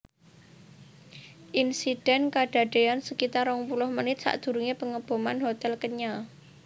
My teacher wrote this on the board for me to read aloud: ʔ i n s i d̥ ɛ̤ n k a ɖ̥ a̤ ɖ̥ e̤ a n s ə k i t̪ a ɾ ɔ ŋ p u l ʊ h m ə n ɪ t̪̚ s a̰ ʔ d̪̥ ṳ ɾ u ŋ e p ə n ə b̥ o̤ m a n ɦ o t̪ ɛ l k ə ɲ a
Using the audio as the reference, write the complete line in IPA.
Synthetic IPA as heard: ʔ i n s i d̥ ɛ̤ n k a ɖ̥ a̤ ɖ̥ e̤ a n s ə k i t̪ a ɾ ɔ ŋ p u l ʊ h m ə n ɪ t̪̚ s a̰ ʔ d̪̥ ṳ ɾ u ŋ e p ə ŋ ə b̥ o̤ m a n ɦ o t̪ ɛ l k ə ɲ a